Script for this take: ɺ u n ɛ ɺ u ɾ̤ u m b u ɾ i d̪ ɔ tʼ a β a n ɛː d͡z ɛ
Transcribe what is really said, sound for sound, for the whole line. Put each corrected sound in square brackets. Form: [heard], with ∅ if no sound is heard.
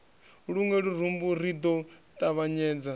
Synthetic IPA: ɺ u [ŋ] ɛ ɺ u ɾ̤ u m b u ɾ i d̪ ɔ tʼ a β a [ɲ] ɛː d͡z [a]